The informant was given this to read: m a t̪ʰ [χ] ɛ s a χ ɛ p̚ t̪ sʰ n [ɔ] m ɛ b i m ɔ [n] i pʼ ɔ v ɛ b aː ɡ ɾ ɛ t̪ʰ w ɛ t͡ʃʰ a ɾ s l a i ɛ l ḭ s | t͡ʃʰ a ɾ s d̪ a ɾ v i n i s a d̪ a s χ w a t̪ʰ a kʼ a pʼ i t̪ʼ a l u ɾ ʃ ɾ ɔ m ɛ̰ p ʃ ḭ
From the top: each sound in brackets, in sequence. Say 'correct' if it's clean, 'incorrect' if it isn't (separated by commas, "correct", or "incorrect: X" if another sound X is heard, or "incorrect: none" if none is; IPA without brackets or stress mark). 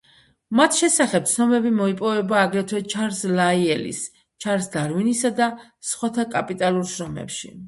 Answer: incorrect: ʃ, correct, incorrect: none